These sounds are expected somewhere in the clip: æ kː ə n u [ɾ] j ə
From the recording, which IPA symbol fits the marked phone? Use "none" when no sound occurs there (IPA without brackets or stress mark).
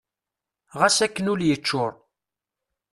l